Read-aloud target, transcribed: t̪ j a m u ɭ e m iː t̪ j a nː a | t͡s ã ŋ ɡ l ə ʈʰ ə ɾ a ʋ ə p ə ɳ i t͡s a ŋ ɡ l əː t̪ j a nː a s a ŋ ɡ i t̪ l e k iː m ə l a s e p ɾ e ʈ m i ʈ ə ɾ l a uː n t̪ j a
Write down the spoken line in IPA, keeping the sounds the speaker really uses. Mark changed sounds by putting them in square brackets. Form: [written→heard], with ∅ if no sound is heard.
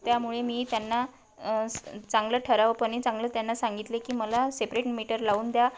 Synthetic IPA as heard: t̪ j a m u ɭ e m iː t̪ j a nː a | t͡s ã ŋ ɡ l ə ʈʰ ə ɾ a ʋ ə p ə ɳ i t͡s a ŋ ɡ l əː t̪ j a nː a s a ŋ ɡ i t̪ l e k iː m ə l a s e p ɾ e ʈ m i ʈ ə ɾ l a uː n [t̪→d̪] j a